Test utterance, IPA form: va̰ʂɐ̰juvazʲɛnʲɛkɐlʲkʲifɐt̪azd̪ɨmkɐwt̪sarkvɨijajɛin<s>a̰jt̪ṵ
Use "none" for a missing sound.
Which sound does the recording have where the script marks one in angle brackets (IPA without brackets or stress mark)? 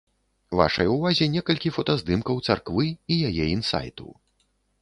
s